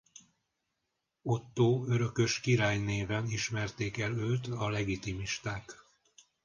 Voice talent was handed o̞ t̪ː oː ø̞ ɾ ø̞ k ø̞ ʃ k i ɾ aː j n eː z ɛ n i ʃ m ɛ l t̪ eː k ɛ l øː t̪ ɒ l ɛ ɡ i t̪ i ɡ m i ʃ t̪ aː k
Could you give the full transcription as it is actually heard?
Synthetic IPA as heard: o̞ t̪ː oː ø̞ ɾ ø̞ k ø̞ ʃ k i ɾ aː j n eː v ɛ n i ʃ m ɛ r t̪ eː k ɛ l øː t̪ ɒ l ɛ ɡ i t̪ i m i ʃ t̪ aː k